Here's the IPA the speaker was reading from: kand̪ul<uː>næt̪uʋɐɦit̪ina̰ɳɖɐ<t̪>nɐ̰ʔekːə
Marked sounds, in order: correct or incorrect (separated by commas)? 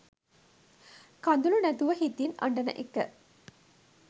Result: incorrect, incorrect